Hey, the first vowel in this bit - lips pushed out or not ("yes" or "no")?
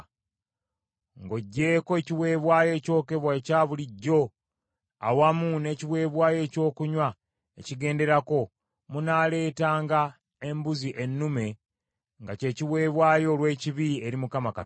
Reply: yes